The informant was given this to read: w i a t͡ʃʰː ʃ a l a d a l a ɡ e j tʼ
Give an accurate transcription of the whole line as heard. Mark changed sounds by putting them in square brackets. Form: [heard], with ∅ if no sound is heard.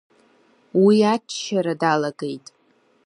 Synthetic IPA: w i a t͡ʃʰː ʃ a [ɾ] a d a l a ɡ e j tʼ